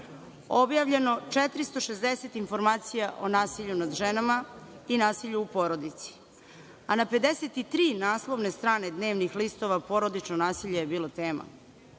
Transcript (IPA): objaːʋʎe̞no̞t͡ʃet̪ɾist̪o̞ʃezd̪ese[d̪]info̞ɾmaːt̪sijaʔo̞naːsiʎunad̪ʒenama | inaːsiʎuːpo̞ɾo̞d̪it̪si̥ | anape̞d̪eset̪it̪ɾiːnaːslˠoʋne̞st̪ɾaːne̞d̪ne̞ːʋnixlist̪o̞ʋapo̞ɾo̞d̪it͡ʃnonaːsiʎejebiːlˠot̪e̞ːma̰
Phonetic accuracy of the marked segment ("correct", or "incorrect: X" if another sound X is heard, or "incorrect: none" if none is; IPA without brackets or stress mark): incorrect: t̪